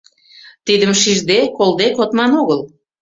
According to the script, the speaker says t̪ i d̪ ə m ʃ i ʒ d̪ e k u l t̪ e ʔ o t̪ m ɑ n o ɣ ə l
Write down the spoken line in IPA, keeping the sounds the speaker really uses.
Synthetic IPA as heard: t̪ i d̪ ə m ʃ i ʒ d̪ e k o l d̪ e k o t̪ m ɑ n o ɣ ə l